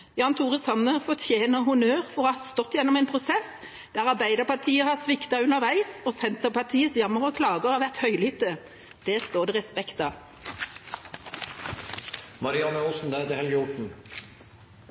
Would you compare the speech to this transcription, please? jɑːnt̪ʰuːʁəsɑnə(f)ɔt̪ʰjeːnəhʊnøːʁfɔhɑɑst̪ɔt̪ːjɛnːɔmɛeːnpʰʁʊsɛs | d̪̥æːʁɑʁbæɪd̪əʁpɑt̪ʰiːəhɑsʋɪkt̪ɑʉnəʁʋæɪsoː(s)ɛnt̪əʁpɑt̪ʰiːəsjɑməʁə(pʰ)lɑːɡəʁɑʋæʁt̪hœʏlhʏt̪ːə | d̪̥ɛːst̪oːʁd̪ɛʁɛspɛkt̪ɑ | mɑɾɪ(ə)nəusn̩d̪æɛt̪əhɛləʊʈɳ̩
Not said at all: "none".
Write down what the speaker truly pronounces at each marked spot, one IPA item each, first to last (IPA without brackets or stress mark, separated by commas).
f, s, kʰ, ɑ